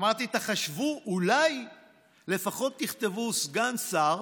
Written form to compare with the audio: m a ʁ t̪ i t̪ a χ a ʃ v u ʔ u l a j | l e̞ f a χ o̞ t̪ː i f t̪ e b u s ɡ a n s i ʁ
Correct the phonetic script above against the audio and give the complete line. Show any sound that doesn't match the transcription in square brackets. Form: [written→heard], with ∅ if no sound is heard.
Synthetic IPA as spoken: m a ʁ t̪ i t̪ a χ a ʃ v u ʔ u l a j | l e̞ f a χ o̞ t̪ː i [f→χ] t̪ e [b→v] u s ɡ a n s [i→a] ʁ